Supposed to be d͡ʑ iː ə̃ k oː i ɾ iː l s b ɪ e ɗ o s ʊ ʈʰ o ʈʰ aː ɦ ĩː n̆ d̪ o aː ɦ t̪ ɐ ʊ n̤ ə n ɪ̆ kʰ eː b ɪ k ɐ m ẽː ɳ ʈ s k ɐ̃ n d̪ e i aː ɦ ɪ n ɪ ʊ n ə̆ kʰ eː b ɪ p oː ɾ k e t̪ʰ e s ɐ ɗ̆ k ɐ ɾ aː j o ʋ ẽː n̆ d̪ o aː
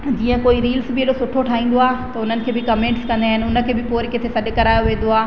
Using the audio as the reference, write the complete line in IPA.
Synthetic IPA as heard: d͡ʑ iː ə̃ k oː i ɾ iː l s b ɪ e ɗ o s ʊ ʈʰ o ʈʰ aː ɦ ĩː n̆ d̪ o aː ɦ t̪ ɐ ʊ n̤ ə n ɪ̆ kʰ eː b ɪ k ɐ m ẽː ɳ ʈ s k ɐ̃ n d̪ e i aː ɦ ɪ n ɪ ʊ n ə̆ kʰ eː b ɪ p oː ɾ k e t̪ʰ e s ɐ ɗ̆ k ɐ ɾ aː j o ʋ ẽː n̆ d̪ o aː